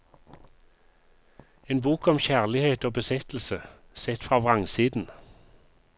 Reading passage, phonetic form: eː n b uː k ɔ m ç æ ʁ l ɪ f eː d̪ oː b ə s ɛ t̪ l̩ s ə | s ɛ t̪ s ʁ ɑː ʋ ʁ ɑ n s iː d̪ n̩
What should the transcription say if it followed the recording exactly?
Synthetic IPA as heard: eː n b uː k ɔ m ç æ ʁ l ɪ h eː t̪ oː b ə s ɛ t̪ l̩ s ə | s ɛ t̪ f ʁ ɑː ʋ ʁ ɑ ŋ s iː d̪ n̩